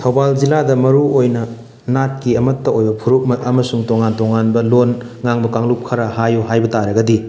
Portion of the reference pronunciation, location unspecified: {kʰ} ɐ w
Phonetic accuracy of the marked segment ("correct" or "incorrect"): incorrect